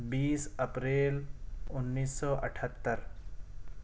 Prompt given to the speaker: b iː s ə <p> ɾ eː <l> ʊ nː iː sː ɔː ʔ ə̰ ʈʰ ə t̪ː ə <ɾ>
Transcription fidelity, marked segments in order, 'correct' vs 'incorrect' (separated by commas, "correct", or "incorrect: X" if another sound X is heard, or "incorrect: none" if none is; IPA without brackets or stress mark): correct, correct, correct